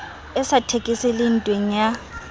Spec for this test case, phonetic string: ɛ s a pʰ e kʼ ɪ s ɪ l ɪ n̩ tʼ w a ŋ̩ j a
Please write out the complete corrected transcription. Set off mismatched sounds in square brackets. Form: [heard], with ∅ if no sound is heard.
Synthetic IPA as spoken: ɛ s a [tʰ] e kʼ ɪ s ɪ l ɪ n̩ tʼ w [e] ŋ̩ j a

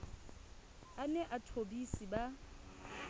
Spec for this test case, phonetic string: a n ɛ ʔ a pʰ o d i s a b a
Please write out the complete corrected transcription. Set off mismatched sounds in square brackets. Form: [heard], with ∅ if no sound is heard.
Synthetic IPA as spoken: a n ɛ ʔ a [tʰ] o [b] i s [i] b a

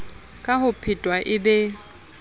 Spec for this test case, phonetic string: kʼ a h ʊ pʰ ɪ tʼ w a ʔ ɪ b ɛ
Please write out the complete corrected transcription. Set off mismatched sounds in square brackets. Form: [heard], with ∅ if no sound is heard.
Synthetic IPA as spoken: kʼ a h ʊ pʰ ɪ tʼ w a ʔ ɪ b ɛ

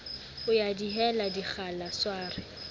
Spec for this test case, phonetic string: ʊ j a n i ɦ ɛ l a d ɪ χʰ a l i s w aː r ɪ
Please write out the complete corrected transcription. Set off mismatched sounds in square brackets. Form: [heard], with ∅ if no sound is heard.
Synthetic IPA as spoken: ʊ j a [d] i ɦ ɛ l a d [i] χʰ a l [a] s w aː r ɪ

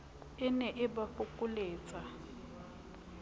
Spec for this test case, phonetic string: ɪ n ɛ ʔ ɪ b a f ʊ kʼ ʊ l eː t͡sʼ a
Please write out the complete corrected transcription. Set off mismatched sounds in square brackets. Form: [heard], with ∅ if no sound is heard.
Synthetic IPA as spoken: ɪ n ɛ ʔ ɪ b a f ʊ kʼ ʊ l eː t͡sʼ a

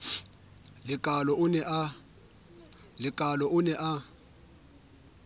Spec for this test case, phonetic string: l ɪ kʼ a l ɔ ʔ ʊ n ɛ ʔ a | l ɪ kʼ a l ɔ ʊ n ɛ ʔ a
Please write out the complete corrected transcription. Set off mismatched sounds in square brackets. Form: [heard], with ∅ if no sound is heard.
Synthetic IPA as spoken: l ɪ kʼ a l ɔ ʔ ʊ n ɛ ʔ a | l ɪ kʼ a l ɔ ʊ n ɛ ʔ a

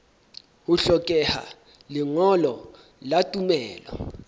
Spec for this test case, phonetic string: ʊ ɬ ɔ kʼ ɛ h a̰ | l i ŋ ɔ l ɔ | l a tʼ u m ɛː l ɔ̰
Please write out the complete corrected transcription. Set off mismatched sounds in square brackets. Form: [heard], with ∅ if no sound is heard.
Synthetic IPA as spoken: [u] ɬ ɔ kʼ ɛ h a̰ | l i ŋ ɔ l ɔ | l a tʼ u m ɛː l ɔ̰

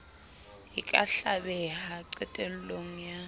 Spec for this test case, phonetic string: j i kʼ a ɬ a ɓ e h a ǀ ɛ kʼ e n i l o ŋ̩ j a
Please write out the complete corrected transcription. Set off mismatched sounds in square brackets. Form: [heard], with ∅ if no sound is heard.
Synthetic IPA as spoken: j i kʼ a ɬ a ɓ [ɛ] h a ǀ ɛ [tʼ] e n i l o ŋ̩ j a

